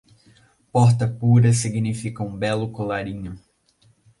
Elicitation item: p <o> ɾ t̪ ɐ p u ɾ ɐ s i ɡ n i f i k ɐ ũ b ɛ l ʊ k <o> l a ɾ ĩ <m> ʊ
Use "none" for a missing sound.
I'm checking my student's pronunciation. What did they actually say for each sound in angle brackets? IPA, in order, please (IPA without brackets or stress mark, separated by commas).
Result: ɔ, o, ɲ